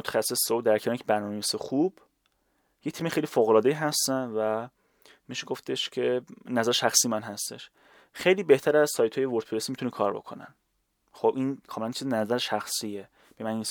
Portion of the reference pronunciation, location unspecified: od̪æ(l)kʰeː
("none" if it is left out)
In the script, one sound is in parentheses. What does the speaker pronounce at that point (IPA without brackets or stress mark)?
ɾ